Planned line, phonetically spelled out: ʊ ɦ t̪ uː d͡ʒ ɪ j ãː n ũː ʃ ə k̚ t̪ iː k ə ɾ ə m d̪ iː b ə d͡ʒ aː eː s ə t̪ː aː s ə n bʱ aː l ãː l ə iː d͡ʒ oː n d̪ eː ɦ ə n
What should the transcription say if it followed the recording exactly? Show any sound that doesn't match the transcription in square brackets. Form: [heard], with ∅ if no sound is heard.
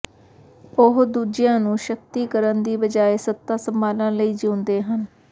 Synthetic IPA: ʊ ɦ [d̪] uː d͡ʒ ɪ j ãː n ũː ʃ ə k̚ t̪ iː k ə ɾ ə [n] d̪ iː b ə d͡ʒ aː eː s ə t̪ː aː s ə [m] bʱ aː l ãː l ə iː d͡ʒ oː n d̪ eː ɦ ə n